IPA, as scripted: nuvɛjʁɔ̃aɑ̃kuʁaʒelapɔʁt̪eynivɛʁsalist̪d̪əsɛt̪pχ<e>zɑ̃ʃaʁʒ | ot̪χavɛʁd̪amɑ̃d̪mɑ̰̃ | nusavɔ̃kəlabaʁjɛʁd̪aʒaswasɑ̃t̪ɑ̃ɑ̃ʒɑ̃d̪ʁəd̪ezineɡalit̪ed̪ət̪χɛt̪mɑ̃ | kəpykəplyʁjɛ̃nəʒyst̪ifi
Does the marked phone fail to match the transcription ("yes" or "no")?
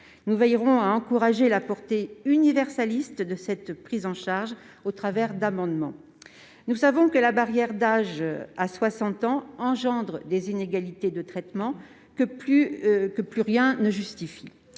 yes